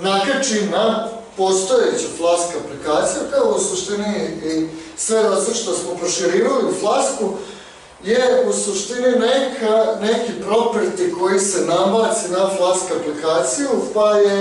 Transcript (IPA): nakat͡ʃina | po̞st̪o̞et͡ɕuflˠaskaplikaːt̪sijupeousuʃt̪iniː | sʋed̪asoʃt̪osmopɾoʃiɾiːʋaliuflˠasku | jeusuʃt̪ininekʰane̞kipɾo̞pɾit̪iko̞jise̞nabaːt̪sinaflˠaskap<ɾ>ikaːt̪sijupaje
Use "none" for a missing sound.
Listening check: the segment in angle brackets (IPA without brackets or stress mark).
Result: l